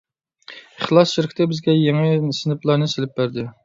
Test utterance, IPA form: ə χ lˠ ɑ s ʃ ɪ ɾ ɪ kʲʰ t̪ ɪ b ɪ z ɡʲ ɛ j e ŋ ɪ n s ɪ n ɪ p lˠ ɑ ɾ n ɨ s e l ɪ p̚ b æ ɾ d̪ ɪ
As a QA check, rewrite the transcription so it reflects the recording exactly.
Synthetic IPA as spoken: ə χ lˠ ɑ s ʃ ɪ ɾ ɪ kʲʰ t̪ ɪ b ɪ z ɡʲ ɛ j e ŋ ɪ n s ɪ n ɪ p lˠ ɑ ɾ n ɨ s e l ɪ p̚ b æ ɾ d̪ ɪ